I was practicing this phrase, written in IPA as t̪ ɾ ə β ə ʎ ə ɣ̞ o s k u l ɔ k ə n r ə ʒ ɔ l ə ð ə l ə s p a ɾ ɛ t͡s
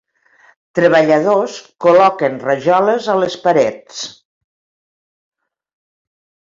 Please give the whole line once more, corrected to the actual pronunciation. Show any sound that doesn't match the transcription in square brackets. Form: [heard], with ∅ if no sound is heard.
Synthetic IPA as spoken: t̪ ɾ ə β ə ʎ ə [ð̞] o s k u l ɔ k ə n r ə ʒ ɔ l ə [z] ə l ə s p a ɾ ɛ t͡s